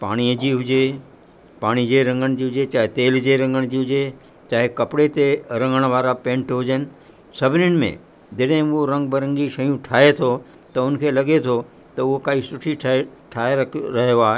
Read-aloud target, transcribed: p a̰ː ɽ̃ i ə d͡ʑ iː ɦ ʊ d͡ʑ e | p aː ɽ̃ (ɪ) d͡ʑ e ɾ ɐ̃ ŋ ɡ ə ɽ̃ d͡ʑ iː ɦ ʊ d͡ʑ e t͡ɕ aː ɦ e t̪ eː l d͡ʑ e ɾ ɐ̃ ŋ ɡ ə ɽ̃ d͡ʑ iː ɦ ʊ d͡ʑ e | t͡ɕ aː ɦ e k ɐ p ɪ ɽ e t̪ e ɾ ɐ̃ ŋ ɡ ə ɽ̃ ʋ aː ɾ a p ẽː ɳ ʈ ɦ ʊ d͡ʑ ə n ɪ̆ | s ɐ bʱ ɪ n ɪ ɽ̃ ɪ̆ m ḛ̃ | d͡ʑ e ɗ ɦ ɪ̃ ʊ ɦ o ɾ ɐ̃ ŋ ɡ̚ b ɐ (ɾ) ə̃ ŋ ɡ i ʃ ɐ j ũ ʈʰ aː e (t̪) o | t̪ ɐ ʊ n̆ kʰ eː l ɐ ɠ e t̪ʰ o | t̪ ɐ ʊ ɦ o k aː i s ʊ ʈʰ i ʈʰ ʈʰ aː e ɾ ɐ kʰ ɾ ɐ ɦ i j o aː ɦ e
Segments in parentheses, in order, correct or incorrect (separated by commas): incorrect, correct, incorrect